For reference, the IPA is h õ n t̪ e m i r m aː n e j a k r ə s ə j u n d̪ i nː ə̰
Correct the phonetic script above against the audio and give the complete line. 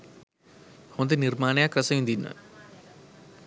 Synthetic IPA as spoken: h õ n d̪ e n i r m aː n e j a k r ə s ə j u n d̪ i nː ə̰